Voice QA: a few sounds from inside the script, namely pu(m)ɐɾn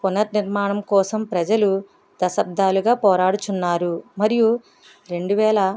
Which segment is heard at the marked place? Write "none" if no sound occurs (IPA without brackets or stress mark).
n